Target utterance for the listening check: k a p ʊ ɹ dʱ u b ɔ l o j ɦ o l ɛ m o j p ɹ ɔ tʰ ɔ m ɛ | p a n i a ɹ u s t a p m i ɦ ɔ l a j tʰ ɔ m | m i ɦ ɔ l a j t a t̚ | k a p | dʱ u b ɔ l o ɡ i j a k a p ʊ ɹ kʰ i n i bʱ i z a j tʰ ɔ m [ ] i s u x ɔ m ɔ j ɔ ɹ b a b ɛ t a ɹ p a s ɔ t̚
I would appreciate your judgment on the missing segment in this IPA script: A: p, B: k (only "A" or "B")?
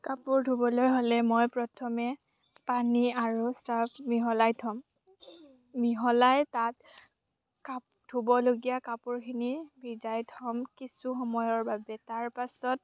B